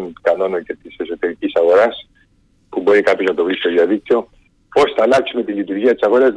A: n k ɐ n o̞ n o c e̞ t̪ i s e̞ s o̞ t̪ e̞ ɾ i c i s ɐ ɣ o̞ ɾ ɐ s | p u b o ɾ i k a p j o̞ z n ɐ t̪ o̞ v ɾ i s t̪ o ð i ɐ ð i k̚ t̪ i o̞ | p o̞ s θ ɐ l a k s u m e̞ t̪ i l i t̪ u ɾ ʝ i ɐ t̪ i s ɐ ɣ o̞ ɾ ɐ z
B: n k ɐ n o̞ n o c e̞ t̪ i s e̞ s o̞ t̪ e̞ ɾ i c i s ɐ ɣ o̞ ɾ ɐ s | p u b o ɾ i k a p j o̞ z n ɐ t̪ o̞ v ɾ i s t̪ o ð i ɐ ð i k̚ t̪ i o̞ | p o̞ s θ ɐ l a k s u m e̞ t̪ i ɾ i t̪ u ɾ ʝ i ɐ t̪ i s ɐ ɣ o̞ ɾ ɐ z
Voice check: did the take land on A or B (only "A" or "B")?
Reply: A